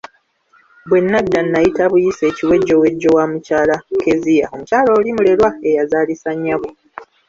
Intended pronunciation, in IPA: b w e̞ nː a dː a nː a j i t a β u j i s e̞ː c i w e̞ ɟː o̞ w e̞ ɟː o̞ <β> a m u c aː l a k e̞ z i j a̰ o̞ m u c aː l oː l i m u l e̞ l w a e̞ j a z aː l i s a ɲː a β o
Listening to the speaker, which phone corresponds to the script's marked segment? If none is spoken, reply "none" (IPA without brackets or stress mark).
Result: w